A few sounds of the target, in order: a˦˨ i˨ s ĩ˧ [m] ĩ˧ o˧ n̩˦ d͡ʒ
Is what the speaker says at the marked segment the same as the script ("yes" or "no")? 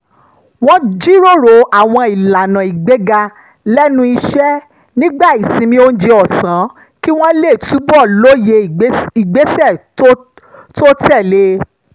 yes